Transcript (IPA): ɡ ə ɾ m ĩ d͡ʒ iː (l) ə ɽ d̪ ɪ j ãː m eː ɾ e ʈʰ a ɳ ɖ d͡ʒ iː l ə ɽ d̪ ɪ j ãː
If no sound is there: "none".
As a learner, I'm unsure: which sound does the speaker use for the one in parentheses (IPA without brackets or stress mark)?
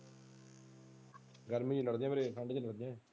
l